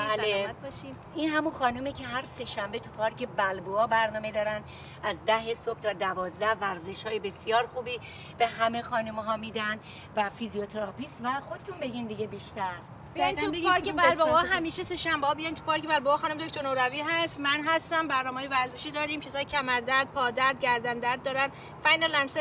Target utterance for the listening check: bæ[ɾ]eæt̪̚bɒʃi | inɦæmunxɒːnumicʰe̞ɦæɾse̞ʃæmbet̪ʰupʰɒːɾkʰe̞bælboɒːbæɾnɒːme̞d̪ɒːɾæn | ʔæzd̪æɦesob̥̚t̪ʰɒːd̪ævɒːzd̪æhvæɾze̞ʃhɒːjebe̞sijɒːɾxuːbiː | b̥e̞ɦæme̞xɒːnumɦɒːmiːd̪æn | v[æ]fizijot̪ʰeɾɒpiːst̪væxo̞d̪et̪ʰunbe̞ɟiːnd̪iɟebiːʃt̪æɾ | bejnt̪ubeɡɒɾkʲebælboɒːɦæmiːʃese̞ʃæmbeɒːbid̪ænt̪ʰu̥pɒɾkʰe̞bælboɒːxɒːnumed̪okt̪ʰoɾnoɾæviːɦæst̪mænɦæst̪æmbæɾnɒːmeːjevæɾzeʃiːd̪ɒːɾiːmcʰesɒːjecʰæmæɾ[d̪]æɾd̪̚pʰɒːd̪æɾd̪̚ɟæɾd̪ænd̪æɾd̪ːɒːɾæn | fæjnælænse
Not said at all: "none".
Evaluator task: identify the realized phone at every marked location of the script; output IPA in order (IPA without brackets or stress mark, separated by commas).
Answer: l, æ, d̪